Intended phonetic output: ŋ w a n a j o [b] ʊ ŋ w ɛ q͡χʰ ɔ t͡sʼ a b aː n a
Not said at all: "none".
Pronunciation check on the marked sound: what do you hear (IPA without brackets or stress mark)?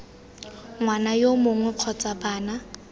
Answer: m